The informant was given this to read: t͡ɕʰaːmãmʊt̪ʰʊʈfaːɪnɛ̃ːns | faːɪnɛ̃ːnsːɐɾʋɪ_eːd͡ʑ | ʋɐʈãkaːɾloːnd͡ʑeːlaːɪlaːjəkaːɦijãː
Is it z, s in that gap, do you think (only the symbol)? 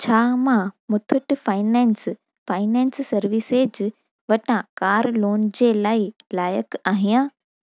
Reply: s